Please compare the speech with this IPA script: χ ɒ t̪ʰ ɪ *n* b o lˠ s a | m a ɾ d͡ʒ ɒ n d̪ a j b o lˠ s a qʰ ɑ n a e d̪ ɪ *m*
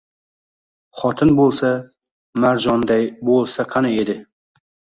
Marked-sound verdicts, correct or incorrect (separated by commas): correct, incorrect